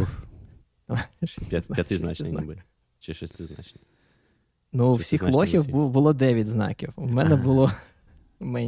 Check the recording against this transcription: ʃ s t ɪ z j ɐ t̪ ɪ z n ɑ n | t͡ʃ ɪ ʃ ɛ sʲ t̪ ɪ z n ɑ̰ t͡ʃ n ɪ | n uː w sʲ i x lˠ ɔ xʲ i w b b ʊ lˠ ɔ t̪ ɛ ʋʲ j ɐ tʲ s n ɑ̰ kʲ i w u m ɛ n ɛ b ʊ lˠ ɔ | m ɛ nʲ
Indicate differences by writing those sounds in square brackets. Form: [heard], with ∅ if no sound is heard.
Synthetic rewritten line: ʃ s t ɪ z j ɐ t̪ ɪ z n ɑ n | t͡ʃ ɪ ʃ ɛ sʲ t̪ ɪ z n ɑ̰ t͡ʃ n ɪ | n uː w sʲ i x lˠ ɔ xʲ i w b b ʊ lˠ ɔ [d̪] ɛ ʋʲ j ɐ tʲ [z] n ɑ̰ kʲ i w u m ɛ n ɛ b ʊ lˠ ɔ | m ɛ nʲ